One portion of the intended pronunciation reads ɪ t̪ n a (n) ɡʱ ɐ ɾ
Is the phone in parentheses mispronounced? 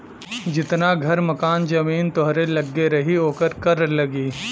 yes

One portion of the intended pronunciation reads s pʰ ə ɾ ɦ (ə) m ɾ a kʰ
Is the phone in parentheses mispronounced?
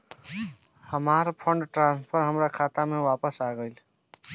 no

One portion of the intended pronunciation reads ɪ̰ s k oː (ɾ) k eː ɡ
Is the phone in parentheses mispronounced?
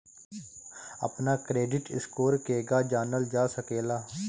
no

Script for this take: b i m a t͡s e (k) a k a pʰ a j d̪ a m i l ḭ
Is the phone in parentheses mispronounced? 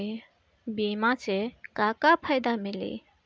no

